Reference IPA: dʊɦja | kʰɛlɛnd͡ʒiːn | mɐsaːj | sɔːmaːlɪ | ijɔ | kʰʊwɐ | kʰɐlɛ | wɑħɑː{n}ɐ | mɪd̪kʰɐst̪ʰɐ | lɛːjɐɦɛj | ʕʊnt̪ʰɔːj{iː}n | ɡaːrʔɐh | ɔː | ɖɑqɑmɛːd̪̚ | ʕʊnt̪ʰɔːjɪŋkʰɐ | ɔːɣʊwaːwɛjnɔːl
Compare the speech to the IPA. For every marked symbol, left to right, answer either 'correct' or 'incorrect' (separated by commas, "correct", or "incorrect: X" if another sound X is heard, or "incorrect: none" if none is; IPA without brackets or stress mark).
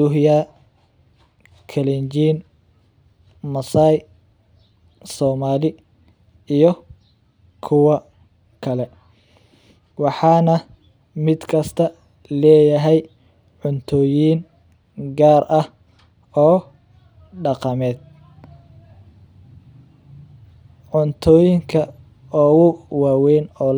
correct, correct